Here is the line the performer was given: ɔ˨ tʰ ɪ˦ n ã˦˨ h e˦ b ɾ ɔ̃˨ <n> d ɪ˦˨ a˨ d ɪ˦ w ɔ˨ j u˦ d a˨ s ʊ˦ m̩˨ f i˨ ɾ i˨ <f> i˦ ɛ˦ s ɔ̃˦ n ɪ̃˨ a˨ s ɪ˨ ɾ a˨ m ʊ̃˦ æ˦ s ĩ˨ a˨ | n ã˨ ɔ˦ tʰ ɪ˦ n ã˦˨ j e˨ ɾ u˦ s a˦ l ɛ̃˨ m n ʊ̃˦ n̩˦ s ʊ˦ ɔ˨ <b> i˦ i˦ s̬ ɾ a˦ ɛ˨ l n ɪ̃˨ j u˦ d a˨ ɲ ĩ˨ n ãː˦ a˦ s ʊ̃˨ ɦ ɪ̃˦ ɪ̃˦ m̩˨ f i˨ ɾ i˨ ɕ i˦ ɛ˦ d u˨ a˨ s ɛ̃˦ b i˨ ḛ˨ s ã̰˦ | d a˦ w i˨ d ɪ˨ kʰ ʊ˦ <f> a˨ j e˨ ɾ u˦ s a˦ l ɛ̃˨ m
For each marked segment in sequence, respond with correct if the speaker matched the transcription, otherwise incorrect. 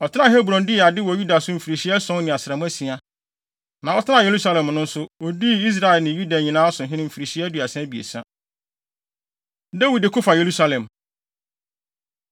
correct, incorrect: ɕ, incorrect: d, correct

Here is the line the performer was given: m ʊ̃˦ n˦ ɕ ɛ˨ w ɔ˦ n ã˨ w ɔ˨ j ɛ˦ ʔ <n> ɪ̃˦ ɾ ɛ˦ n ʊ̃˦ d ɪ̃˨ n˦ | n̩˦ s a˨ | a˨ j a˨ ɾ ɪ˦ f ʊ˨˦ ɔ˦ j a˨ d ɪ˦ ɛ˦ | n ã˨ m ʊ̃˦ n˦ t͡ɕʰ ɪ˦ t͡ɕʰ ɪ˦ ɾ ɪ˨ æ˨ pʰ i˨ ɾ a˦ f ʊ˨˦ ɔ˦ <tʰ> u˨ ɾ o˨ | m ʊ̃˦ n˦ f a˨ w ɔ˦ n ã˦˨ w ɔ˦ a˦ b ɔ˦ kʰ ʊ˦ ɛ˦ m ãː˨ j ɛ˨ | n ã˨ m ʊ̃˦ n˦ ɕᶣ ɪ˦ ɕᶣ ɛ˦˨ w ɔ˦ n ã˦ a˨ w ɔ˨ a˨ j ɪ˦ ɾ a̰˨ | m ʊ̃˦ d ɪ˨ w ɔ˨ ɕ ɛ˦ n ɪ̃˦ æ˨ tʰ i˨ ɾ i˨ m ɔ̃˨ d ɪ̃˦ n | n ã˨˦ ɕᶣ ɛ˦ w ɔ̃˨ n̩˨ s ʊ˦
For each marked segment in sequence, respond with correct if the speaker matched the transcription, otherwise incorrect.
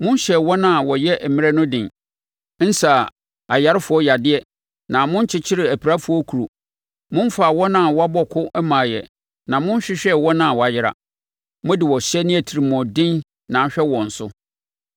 incorrect: m, incorrect: kʰ

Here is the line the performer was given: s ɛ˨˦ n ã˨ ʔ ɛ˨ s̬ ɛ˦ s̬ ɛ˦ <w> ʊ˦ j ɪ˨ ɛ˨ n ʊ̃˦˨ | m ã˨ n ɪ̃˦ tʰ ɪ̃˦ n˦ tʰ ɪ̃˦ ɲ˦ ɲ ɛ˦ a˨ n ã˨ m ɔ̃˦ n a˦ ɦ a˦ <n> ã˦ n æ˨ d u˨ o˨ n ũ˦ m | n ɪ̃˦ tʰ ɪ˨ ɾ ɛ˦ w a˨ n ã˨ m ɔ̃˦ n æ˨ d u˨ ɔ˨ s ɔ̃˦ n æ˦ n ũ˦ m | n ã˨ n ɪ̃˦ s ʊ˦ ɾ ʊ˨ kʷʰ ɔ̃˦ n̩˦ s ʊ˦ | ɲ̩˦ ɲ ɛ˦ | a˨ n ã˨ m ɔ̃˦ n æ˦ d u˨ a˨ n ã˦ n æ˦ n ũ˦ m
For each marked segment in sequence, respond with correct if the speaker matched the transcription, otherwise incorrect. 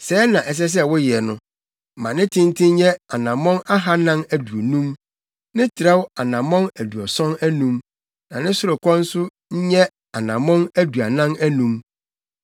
correct, correct

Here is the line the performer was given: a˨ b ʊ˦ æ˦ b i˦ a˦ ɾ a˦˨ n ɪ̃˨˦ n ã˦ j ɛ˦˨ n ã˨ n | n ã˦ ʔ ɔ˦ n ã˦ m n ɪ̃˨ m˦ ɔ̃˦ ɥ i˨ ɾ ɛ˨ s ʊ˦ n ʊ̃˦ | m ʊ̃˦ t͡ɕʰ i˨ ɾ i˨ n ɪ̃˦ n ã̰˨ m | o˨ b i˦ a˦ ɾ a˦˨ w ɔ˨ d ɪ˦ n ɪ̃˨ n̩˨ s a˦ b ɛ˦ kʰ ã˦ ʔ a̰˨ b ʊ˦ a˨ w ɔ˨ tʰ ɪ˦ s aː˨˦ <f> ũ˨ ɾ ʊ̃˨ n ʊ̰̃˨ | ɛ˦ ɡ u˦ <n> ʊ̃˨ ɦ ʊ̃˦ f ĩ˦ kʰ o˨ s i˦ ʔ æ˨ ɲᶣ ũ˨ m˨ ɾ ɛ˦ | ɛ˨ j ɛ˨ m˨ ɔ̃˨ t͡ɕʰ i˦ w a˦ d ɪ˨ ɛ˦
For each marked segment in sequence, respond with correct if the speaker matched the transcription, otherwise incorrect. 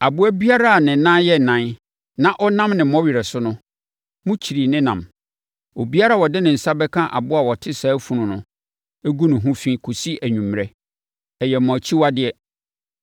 correct, correct

